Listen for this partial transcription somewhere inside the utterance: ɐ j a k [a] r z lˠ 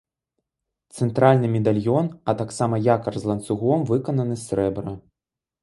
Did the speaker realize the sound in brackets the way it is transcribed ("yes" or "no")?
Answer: no